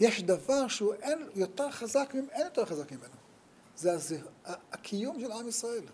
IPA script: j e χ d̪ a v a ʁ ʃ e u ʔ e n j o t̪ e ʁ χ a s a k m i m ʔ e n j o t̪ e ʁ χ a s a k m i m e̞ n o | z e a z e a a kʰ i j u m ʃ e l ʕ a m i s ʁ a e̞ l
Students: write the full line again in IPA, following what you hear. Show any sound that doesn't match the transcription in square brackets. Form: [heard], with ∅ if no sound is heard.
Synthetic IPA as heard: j e [ʃ] d̪ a v a ʁ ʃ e u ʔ e n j o t̪ e ʁ χ a [z] a k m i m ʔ e n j o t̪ e ʁ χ a [z] a k m i m e̞ n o | z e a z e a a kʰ i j u m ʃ e l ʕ a m i s ʁ a e̞ l